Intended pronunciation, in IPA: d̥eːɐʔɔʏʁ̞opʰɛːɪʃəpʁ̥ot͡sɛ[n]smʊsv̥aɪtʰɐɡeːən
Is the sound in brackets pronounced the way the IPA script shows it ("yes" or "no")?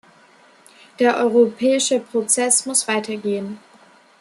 no